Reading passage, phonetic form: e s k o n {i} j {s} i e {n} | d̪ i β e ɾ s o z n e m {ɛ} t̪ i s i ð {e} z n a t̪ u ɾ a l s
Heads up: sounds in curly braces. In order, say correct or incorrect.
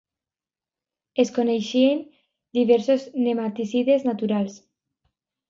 incorrect: e, incorrect: ʃ, correct, incorrect: a, correct

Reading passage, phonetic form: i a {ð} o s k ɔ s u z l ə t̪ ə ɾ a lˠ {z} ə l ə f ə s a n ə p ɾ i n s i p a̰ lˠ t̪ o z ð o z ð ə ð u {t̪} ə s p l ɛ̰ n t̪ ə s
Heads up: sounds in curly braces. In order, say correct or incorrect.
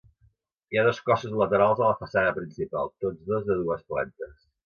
correct, correct, incorrect: none

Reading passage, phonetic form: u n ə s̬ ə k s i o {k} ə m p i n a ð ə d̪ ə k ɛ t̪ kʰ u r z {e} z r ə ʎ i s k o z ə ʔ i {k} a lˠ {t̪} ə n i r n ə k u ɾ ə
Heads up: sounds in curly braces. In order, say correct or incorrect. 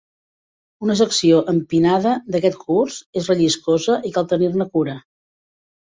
incorrect: ʔ, correct, correct, correct

